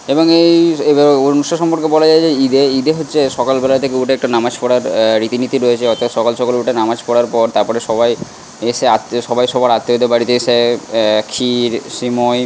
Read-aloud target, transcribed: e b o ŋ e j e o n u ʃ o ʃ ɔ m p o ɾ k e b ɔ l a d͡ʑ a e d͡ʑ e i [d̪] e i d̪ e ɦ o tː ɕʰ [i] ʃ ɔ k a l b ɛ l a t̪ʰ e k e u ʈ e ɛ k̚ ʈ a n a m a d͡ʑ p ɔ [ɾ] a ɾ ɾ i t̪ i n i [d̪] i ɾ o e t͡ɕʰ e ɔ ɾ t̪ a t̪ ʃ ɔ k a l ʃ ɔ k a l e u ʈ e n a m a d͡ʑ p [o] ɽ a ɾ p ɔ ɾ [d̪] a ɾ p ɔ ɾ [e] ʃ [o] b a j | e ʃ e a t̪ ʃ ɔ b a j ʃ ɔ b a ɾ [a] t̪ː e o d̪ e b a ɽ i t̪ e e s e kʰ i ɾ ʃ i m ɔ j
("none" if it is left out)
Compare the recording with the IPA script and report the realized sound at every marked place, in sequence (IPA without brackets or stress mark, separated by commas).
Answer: d̪, e, ɽ, t̪, ɔ, t̪, e, ɔ, a